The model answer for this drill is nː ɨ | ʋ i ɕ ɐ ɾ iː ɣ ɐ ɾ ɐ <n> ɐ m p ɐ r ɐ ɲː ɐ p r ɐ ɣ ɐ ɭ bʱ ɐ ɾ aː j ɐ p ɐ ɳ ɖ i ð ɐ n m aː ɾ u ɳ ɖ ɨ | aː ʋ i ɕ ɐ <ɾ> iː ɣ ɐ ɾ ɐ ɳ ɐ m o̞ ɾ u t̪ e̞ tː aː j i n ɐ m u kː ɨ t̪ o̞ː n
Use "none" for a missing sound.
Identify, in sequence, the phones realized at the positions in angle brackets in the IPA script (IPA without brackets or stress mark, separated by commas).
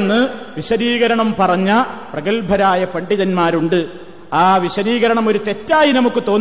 ɳ, ɾ